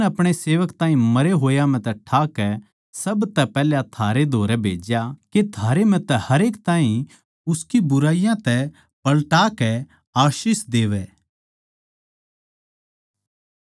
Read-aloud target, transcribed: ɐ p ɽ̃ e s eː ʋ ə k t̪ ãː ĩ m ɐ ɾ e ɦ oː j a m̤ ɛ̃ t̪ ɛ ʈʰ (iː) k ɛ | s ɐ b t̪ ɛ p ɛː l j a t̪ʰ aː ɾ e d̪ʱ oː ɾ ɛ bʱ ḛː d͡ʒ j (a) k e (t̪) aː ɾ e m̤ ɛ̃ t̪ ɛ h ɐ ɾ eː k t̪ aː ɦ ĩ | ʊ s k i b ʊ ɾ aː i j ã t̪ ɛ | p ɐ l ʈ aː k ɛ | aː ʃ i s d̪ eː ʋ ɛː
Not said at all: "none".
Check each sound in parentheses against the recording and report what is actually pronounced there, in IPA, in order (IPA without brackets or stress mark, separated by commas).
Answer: aː, a, t̪ʰ